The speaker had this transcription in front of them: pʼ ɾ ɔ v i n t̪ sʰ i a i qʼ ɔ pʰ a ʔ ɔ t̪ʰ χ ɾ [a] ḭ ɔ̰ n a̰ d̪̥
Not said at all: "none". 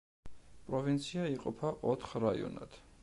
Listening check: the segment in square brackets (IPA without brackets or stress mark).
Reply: a